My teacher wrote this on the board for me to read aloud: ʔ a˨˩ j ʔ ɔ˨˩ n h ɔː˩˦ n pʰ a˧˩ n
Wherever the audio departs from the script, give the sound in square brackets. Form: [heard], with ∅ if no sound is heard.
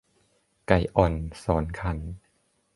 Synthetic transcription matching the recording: [k] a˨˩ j ʔ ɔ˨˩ n [s] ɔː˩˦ n [kʰ] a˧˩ n